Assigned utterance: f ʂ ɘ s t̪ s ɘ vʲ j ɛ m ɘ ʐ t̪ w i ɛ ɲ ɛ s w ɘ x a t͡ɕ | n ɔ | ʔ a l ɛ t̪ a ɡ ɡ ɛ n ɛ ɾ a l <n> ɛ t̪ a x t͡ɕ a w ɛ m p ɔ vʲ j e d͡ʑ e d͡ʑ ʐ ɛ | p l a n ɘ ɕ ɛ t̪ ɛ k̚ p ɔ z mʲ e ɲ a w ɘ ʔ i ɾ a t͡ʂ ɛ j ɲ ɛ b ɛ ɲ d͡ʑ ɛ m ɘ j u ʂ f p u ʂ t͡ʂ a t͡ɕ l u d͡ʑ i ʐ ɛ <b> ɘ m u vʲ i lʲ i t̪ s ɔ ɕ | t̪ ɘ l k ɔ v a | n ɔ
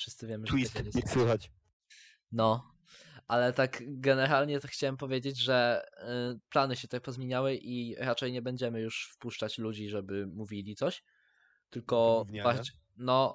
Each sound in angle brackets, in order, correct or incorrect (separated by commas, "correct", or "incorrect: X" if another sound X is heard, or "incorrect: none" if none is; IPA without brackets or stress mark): incorrect: ɲ, correct